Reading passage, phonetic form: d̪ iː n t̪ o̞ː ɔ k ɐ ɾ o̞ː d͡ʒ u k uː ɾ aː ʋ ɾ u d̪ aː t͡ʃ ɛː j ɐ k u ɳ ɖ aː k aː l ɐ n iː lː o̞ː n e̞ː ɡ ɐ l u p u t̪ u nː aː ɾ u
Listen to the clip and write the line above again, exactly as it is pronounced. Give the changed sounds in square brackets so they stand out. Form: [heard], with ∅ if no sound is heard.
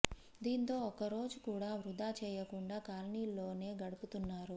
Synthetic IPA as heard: d̪ iː n t̪ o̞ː ɔ k ɐ ɾ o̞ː d͡ʒ u k uː [ɽ] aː ʋ ɾ u d̪ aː t͡ʃ ɛː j ɐ k u ɳ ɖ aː k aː l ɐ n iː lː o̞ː n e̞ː ɡ ɐ [ɽ] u p u t̪ u nː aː ɾ u